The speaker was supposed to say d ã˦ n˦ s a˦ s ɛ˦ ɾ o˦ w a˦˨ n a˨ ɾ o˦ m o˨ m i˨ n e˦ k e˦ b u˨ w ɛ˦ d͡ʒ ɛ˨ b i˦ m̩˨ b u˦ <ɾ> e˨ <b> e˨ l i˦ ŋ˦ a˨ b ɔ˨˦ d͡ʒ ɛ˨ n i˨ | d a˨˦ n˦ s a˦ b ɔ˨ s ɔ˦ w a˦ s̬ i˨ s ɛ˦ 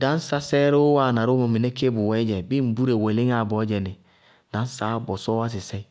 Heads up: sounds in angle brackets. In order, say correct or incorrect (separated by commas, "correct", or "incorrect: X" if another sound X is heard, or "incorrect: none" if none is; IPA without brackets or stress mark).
correct, incorrect: w